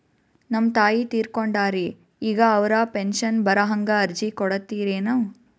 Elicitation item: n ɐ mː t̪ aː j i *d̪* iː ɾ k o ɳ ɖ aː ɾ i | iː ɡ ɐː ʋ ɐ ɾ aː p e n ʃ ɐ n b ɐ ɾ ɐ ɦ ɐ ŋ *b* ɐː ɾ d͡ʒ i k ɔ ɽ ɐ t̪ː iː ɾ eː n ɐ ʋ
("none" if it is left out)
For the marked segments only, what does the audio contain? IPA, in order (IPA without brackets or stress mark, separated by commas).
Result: t̪, ɡ